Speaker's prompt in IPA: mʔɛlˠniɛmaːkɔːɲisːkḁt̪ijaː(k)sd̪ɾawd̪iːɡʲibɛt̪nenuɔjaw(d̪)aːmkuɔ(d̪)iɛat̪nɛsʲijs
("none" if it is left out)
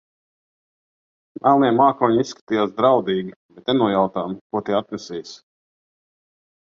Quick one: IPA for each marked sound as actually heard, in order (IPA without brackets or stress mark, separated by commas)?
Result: none, t̪, t̪